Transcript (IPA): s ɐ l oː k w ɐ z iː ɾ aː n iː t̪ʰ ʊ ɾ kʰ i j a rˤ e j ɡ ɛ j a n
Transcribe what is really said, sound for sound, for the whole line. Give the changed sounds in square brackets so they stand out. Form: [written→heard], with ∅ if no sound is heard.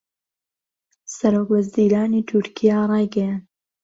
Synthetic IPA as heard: s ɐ [l→ɾ] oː k w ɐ z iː ɾ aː n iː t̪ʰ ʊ ɾ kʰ i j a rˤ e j ɡ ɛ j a n